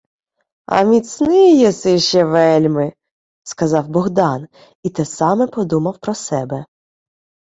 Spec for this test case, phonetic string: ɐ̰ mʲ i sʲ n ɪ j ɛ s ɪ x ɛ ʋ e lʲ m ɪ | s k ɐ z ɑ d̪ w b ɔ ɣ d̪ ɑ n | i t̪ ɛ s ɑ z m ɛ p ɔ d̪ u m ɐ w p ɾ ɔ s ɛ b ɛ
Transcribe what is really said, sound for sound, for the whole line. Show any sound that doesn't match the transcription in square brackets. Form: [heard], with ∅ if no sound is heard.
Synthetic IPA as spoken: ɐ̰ mʲ i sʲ n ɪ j ɛ s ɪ [ʃ] ɛ ʋ [ɛ] lʲ m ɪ | s k ɐ z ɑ [∅] w b ɔ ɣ d̪ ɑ n | i t̪ ɛ s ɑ [∅] m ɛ p ɔ d̪ u m ɐ w p ɾ ɔ s ɛ b ɛ